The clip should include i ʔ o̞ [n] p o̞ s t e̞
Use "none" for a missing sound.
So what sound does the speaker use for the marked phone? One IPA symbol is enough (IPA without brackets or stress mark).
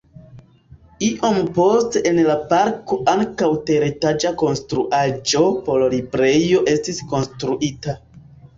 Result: m